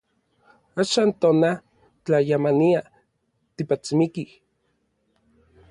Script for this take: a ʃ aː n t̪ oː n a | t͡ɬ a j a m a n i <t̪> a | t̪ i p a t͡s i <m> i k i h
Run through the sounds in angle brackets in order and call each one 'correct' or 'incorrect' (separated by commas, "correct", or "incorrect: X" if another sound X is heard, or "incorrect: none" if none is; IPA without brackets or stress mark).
incorrect: none, correct